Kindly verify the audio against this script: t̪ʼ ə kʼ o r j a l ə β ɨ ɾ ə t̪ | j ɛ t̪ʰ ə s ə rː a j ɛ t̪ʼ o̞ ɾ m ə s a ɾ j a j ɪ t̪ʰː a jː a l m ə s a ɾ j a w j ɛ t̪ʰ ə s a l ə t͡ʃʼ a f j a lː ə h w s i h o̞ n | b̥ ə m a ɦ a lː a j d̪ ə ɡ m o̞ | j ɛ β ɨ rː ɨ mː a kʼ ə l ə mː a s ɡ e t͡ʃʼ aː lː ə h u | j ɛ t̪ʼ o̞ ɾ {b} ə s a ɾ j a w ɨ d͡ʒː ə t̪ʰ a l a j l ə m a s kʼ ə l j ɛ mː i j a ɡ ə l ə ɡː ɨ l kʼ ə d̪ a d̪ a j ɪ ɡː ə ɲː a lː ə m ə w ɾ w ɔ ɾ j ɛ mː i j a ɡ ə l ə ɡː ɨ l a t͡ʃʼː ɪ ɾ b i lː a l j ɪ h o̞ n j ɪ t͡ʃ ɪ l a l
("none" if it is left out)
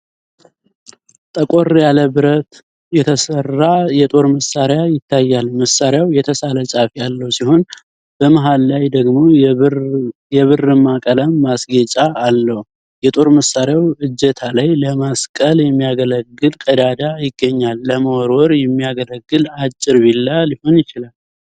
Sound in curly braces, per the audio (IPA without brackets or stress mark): m